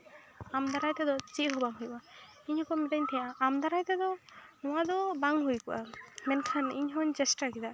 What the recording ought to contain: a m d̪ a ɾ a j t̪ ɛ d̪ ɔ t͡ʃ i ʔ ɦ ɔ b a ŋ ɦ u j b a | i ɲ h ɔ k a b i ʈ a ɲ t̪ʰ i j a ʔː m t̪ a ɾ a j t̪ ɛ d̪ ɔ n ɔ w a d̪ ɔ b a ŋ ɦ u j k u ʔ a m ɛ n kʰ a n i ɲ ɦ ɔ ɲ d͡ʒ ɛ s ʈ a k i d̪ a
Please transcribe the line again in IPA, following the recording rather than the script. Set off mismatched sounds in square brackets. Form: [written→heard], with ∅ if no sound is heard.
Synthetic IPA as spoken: a m d̪ a ɾ a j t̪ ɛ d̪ ɔ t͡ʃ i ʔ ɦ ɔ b a ŋ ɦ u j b a | i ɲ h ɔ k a [b→m] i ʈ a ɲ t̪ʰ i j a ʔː m [t̪→d̪] a ɾ a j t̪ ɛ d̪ ɔ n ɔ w a d̪ ɔ b a ŋ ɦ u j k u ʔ a m ɛ n kʰ a n i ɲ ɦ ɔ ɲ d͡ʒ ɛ s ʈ a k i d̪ a